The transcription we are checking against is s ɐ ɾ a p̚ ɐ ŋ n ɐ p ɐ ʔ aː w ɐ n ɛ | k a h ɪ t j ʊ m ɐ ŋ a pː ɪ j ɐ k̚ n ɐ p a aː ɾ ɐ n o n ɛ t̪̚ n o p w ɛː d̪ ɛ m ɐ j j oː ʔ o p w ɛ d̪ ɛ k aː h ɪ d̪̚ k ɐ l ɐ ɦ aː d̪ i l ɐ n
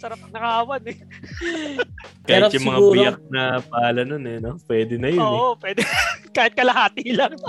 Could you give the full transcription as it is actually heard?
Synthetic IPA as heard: s ɐ ɾ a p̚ ɐ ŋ n ɐ k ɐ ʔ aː w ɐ n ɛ | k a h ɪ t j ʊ m ɐ ŋ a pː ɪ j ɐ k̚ n ɐ p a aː l ɐ n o n ɛ n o p w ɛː d̪ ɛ n ɐ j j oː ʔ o p w ɛ d̪ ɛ k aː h ɪ t̪̚ k ɐ l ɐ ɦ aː t̪ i l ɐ ŋ